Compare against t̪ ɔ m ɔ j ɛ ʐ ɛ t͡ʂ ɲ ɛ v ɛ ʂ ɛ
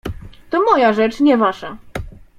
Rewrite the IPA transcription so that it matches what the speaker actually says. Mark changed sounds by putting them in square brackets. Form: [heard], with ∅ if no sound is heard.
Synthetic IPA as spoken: t̪ ɔ m ɔ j [a] ʐ ɛ t͡ʂ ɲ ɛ v [a] ʂ [a]